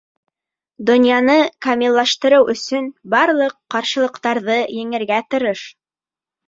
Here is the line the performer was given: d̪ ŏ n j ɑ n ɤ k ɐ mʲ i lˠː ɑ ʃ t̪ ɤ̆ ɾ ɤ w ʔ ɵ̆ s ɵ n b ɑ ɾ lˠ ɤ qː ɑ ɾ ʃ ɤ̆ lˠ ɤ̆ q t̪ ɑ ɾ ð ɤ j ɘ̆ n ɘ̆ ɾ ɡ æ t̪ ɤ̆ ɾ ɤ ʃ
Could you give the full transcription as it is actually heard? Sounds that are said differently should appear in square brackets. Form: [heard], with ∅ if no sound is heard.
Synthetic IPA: d̪ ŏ n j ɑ n ɤ k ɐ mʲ i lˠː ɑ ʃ t̪ ɤ̆ ɾ ɤ w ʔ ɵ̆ s ɵ n b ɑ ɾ lˠ ɤ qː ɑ ɾ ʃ ɤ̆ lˠ ɤ̆ q t̪ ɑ ɾ ð ɤ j ɘ̆ [ŋ] ɘ̆ ɾ ɡ æ t̪ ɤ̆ ɾ ɤ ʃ